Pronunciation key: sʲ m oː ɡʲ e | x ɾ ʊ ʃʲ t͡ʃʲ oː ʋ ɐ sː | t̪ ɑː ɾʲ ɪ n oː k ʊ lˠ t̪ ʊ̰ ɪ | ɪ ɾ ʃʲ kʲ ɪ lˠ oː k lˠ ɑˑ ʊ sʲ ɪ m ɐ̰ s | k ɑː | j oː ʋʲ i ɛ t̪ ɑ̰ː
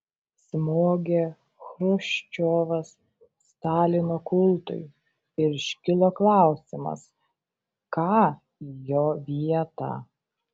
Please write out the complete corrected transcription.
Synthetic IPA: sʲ m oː ɡʲ e | x ɾ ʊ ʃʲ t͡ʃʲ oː ʋ ɐ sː | t̪ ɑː lʲ ɪ n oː k ʊ lˠ t̪ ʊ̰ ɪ | ɪ ɾ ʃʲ kʲ ɪ lˠ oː k lˠ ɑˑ ʊ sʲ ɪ m ɐ̰ s | k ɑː | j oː ʋʲ i ɛ t̪ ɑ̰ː